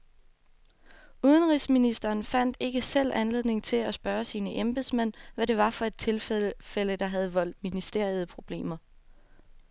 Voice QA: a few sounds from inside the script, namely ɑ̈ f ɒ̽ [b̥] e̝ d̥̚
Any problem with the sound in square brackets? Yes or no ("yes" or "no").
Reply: yes